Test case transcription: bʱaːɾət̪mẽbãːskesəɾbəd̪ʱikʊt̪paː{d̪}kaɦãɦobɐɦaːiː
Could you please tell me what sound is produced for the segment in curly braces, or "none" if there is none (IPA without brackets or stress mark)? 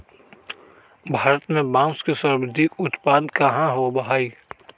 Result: d̪